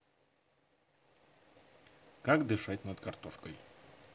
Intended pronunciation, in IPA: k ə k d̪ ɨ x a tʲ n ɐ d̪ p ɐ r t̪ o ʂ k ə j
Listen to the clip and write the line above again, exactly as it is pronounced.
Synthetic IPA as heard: k a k d̪ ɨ ʂ a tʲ n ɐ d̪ k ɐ r t̪ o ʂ k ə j

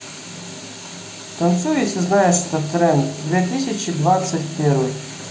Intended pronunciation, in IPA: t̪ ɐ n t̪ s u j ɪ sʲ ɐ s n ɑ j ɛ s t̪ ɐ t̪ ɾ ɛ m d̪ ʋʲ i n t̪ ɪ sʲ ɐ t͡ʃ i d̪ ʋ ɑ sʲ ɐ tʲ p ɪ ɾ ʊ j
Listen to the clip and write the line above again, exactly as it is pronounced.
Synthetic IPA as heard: t̪ ɐ n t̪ s u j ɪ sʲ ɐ z n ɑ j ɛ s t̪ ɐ t̪ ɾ ɛ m d̪ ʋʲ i t̪ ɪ sʲ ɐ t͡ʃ i d̪ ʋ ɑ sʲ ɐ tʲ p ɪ ɾ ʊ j

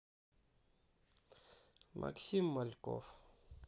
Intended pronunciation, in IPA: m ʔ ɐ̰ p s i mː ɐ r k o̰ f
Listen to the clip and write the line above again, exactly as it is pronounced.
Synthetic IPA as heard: m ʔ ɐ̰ k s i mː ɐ l k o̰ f

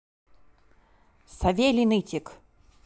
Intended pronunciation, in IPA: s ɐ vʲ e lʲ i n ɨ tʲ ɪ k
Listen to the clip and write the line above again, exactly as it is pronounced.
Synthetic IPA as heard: s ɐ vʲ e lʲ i n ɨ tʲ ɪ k

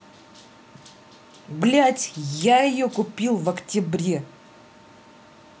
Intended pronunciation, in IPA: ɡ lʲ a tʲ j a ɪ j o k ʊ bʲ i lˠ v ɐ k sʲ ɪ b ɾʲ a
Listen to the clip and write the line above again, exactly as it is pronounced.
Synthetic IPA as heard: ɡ lʲ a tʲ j a ɪ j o k ʊ pʲ i lˠ v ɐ k tʲ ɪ b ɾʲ e

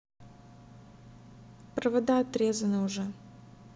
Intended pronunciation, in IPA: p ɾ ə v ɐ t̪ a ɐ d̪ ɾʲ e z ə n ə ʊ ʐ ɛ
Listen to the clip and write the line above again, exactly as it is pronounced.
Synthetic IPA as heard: p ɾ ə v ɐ d̪ a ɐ t̪ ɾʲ e z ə n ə ʊ ʐ ɛ

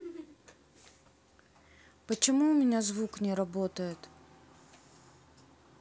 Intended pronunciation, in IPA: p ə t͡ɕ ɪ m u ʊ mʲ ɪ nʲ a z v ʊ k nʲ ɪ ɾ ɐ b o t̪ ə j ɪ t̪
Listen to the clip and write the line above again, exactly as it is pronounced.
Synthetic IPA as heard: p ə t͡ɕ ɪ m u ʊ mʲ ɪ nʲ a z v u k nʲ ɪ ɾ ɐ b o t̪ ə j ɪ t̪

